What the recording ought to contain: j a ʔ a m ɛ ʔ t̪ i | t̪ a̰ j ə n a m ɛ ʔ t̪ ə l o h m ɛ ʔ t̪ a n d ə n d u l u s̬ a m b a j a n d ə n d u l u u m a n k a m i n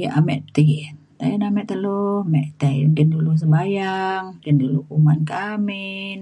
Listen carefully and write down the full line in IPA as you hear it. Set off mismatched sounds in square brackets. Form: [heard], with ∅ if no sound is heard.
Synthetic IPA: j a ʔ a m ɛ ʔ t̪ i | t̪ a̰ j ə n a m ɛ ʔ t̪ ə l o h m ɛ ʔ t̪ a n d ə n d u l u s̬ [ə] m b a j a [ŋ] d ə n d u l u u m a n k a m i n